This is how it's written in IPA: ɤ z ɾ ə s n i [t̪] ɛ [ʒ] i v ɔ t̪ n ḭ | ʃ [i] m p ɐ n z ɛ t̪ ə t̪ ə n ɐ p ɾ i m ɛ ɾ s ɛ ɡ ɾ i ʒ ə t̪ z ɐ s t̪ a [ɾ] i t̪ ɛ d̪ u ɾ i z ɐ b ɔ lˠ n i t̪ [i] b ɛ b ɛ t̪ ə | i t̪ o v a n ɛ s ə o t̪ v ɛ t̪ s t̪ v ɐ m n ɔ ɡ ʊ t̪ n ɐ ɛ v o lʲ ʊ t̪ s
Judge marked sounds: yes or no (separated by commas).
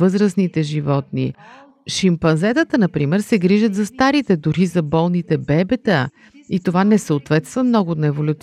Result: yes, yes, yes, yes, no